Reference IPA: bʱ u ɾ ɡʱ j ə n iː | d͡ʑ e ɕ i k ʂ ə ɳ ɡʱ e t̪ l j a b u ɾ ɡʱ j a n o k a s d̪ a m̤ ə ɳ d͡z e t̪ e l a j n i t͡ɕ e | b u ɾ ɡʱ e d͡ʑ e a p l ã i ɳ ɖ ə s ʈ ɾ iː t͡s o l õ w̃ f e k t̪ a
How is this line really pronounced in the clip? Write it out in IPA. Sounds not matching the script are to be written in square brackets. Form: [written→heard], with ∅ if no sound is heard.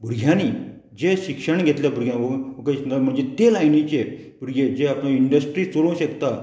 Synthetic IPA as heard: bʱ u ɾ ɡʱ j [ə→a] n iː | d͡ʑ e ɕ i k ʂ ə ɳ ɡʱ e t̪ l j a b u ɾ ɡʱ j a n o k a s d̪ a m̤ ə ɳ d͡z e t̪ e l a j n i t͡ɕ e | b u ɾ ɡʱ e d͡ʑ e a p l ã i ɳ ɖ ə s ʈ ɾ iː t͡s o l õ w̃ [f→ɕ] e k t̪ a

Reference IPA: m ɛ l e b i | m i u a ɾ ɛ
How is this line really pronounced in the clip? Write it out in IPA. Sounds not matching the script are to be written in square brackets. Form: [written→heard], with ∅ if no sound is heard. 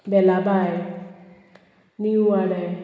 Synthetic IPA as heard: [m→b] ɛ l [e→a] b [i→a] | [m→n] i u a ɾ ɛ

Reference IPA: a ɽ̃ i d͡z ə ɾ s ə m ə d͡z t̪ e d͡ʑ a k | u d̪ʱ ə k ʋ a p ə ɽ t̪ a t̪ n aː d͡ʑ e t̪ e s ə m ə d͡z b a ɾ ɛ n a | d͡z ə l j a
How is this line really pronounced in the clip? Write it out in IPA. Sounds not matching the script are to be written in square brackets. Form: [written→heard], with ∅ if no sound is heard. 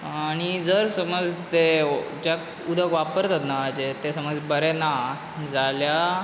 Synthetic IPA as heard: a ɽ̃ i d͡z ə ɾ s ə m ə d͡z t̪ e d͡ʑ a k | u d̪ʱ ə k ʋ a p ə [ɽ→ɾ] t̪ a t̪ n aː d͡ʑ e t̪ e s ə m ə d͡z b [a→ə] ɾ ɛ n a | d͡z [ə→a] l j a

